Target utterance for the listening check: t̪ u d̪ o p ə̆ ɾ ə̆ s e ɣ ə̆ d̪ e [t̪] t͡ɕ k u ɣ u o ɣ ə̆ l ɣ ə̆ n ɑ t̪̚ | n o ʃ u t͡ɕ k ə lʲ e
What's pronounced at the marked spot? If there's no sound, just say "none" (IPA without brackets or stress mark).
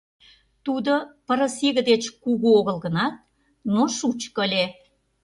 none